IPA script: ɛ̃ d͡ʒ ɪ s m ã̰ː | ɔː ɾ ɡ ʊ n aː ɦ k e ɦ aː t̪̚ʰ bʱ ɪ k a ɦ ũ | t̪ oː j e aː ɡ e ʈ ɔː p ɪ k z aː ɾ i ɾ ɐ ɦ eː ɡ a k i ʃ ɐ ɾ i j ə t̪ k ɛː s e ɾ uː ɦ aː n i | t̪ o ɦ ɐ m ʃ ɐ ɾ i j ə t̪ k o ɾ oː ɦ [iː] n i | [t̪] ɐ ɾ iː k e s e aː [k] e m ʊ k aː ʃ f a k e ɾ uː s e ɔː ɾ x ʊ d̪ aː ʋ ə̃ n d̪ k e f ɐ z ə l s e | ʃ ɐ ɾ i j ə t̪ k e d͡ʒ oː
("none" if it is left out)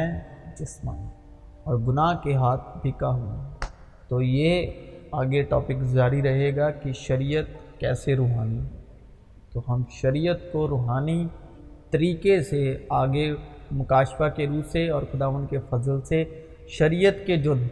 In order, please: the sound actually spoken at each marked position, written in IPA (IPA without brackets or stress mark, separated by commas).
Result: aː, t̪, ɡ